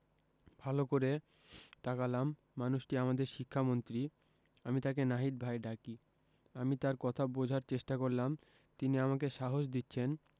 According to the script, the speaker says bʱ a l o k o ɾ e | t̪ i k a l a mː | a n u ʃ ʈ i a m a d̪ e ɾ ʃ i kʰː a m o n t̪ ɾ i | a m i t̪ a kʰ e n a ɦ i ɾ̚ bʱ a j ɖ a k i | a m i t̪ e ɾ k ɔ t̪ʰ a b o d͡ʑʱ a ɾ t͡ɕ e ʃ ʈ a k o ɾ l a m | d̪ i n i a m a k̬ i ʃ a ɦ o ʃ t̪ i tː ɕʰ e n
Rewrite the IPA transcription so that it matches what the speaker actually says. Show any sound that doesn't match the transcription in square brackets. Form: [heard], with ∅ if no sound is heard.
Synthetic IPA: bʱ a l o k o ɾ e | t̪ [a] k a l a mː | a n u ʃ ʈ i a m a d̪ e ɾ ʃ i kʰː a m o n t̪ ɾ i | a m i t̪ a [k] e n a ɦ i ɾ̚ bʱ a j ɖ a k i | a m i t̪ [a] ɾ k ɔ t̪ʰ a b o d͡ʑʱ a ɾ t͡ɕ e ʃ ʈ a k o ɾ l a m | [t̪] i n i a m a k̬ [e] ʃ a ɦ o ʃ [d̪] i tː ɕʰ e n